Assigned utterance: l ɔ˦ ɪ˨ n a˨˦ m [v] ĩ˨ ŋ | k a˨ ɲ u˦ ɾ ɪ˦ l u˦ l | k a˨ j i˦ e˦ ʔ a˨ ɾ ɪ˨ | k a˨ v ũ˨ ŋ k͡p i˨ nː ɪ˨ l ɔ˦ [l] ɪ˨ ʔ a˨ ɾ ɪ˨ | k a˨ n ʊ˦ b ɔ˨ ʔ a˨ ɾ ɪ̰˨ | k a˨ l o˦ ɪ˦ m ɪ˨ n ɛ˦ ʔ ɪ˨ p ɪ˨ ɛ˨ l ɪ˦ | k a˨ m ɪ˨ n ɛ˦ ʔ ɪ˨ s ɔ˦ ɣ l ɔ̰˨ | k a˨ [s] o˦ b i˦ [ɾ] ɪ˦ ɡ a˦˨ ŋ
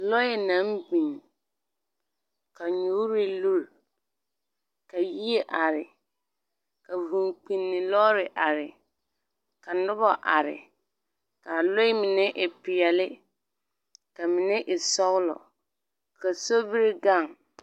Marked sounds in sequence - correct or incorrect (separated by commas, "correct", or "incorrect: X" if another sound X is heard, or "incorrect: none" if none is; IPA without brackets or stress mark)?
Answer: incorrect: b, incorrect: ɾ, correct, correct